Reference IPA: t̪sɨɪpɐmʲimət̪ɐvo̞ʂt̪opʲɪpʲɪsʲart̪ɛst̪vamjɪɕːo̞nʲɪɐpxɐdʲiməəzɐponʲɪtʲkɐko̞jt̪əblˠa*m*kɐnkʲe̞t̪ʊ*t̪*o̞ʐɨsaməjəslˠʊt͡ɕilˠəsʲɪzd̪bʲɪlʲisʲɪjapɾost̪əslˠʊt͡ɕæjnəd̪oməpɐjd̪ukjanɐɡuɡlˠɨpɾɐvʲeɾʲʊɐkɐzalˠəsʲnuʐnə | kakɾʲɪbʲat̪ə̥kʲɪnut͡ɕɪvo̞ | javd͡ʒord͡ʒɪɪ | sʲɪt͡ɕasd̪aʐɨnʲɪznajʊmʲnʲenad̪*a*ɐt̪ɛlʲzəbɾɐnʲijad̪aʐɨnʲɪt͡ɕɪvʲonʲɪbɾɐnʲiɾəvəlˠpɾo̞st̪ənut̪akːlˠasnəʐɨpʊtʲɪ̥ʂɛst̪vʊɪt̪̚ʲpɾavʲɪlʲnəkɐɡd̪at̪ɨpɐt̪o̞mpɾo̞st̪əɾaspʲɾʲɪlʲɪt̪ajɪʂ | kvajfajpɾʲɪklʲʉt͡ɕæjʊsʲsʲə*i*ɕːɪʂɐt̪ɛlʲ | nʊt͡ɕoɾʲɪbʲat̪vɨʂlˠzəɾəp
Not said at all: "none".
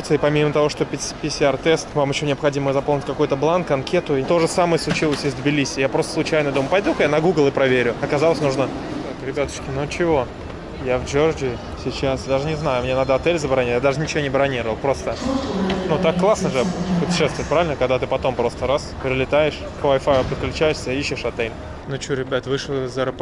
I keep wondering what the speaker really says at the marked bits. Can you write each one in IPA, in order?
n, t̪, ə, i

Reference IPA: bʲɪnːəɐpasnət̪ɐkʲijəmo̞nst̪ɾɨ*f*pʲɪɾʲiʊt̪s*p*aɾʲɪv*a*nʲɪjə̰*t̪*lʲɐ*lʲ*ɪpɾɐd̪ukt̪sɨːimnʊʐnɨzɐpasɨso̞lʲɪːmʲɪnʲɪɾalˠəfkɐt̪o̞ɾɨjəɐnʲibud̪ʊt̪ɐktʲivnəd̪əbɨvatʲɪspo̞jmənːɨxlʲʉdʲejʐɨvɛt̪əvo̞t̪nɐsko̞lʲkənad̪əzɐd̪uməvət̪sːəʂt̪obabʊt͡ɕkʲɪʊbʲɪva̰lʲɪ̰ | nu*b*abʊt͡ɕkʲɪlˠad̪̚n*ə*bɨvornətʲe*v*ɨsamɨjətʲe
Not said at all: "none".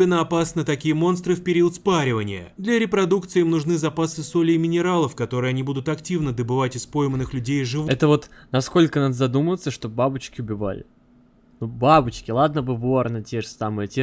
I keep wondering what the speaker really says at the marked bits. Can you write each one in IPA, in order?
f, p, ə, d̪, ɾʲ, b, ə, ʐ

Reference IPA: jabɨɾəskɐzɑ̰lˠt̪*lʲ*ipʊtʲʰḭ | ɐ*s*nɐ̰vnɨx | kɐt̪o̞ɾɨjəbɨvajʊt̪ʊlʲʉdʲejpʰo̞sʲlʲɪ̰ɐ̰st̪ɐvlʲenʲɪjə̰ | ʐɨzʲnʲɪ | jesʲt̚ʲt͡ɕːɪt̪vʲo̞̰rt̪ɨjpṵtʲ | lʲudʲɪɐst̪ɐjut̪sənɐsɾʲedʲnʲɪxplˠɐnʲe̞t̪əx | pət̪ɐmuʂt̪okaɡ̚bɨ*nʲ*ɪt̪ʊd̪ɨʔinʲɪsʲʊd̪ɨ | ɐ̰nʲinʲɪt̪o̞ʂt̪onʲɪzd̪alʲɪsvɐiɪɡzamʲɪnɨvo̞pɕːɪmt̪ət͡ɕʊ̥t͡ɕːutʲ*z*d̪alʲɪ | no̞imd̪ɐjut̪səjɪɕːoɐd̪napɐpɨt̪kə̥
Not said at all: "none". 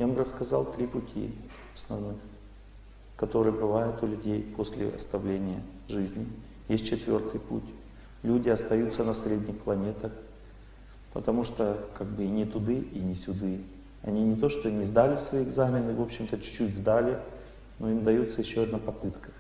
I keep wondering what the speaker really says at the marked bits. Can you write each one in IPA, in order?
ɾʲ, s, nʲ, z

